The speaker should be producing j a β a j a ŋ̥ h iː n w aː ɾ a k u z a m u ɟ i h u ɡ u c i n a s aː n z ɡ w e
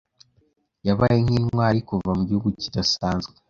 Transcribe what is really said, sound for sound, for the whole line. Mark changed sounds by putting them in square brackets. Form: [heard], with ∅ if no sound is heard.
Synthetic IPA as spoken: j a β a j [e] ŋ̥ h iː n w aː ɾ [i] k u [v] a m u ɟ i h u ɡ u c i [d] a s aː n z ɡ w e